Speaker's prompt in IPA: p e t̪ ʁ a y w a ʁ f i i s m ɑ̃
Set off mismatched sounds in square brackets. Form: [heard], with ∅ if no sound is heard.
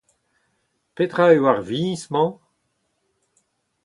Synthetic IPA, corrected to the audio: p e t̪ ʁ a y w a ʁ [v] i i s m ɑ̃